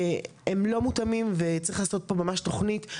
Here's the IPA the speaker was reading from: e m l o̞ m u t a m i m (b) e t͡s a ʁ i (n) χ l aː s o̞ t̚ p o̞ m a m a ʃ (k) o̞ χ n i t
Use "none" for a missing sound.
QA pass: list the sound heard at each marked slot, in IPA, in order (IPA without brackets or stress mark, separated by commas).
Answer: v, none, t